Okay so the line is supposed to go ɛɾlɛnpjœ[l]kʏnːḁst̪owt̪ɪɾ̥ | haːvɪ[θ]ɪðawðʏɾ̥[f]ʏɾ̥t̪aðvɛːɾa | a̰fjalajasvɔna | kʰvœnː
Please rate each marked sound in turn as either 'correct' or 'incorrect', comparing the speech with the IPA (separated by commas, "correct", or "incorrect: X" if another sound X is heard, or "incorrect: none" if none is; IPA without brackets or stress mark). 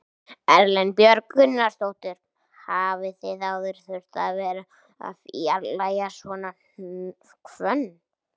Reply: incorrect: ɾ, correct, incorrect: θ